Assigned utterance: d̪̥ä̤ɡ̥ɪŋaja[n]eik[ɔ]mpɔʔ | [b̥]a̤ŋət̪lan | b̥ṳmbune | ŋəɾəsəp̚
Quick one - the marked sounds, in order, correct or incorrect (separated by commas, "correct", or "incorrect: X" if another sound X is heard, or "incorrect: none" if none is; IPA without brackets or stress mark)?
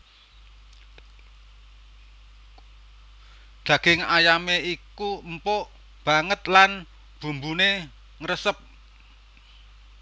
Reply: incorrect: m, incorrect: u, correct